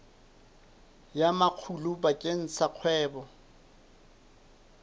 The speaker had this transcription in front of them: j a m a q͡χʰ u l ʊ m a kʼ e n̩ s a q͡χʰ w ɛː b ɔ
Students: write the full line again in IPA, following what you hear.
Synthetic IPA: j a m a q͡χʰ u l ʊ b a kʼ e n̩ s a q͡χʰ w ɛː b ɔ